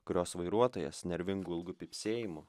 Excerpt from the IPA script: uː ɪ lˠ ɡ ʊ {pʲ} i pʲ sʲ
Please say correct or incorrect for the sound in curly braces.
correct